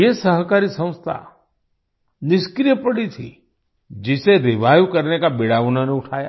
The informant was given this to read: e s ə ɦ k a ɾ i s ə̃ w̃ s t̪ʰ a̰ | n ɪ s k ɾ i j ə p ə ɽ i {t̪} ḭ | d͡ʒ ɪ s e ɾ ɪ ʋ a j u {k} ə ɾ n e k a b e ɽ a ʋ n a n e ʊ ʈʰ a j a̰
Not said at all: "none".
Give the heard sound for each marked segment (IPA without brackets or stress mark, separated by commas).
t̪ʰ, k